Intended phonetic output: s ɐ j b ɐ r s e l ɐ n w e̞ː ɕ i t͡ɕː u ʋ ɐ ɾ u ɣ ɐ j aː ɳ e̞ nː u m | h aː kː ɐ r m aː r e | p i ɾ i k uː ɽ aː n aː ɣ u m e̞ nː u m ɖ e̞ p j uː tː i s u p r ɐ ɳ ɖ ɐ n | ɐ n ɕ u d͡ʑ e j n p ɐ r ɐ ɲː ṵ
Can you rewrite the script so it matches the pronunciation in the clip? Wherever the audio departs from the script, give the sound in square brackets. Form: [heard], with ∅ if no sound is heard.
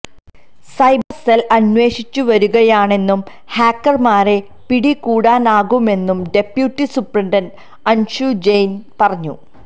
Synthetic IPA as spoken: s ɐ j b ɐ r s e l ɐ n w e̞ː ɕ i t͡ɕː u ʋ ɐ ɾ u ɣ ɐ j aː ɳ e̞ nː u m | h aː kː ɐ r m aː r e | p i [ɽ] i k uː ɽ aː n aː ɣ u m e̞ nː u m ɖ e̞ p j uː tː i s u p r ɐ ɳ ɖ ɐ n | ɐ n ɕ u d͡ʑ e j n p ɐ r ɐ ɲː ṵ